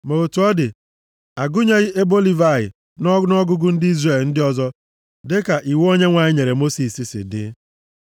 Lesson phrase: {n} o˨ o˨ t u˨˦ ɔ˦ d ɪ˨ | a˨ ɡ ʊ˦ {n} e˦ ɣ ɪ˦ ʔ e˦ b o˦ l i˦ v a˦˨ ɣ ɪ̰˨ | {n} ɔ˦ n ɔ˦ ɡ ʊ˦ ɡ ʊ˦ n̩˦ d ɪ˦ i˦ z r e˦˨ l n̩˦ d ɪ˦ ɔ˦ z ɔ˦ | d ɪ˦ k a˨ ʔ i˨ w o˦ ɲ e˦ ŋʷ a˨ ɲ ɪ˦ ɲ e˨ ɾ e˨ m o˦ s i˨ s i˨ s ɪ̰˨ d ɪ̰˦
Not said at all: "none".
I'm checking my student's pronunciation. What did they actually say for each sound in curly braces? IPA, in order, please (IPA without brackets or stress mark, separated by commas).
m, ɲ, n